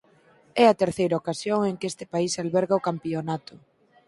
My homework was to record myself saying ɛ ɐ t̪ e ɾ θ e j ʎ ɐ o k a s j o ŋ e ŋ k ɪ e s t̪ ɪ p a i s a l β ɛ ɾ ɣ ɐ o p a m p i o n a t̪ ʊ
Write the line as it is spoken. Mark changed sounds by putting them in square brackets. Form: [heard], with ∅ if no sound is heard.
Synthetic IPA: ɛ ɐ t̪ e ɾ θ e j [ɾ] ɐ o k a s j o ŋ e ŋ k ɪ e s t̪ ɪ p a i s a l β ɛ ɾ ɣ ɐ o [k] a m p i o n a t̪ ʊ